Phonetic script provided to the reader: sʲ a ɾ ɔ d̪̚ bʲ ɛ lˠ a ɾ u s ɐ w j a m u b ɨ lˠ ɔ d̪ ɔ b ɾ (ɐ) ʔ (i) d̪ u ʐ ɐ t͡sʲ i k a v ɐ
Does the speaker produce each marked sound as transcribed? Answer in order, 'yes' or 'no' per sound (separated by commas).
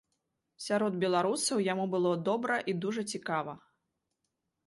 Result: yes, yes